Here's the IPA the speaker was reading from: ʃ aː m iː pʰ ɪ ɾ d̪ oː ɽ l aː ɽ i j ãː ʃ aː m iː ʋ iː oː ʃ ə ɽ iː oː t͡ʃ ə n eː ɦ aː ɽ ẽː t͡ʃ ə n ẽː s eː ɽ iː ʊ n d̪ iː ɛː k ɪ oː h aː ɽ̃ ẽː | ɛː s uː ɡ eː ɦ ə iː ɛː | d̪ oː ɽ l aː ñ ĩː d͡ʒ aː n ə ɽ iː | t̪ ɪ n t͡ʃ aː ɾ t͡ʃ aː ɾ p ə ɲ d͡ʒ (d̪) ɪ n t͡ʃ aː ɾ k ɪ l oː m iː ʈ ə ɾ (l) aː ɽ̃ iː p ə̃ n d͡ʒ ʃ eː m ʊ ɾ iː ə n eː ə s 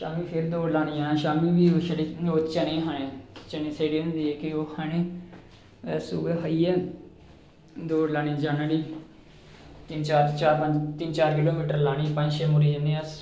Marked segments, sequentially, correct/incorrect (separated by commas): incorrect, correct